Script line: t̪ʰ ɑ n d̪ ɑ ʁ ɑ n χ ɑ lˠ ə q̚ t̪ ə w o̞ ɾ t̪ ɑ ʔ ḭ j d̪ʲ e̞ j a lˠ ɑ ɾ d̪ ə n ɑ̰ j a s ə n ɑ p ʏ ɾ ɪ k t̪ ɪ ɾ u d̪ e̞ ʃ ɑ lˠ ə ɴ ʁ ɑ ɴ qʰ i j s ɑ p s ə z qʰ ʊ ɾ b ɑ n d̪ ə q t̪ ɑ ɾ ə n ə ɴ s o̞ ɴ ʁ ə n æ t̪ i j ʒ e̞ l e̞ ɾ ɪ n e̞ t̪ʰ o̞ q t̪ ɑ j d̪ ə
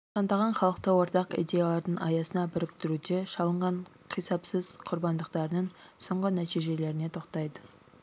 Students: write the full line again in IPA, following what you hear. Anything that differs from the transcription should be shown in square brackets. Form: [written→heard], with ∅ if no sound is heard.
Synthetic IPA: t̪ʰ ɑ n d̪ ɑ ʁ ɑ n χ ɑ lˠ ə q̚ t̪ ə w o̞ ɾ t̪ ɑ [ʔ→q] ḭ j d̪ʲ e̞ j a lˠ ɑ ɾ d̪ ə [n→ɴ] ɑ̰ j [a→ɑ] s ə n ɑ [p→b] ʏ ɾ ɪ k t̪ ɪ ɾ u d̪ e̞ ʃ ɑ lˠ ə ɴ ʁ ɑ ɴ qʰ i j s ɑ p s ə z qʰ ʊ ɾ b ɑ n d̪ ə q t̪ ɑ ɾ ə n ə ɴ s o̞ ɴ ʁ ə n æ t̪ i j ʒ e̞ l e̞ ɾ ɪ n e̞ t̪ʰ o̞ q t̪ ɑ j d̪ ə